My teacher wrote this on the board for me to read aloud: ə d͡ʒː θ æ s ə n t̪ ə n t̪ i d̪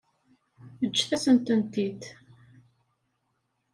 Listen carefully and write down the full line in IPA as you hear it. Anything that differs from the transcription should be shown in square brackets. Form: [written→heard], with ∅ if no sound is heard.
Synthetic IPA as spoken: ə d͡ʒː θ æ s ə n t̪ ə n t̪ i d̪